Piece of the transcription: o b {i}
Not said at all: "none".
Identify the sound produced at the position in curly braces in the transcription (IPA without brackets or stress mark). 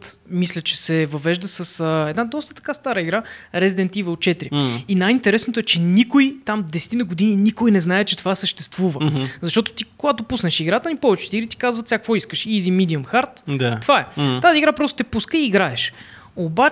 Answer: a